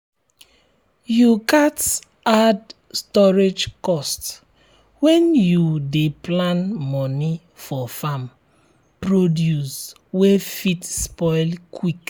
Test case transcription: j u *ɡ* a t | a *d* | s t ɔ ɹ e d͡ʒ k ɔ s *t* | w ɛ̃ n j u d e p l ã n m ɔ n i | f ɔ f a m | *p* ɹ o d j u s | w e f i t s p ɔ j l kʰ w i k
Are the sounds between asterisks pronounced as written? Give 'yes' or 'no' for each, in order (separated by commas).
no, yes, yes, yes